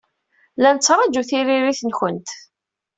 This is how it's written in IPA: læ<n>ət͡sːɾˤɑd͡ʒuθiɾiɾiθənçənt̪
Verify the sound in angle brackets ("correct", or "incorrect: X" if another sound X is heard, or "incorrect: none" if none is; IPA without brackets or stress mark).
correct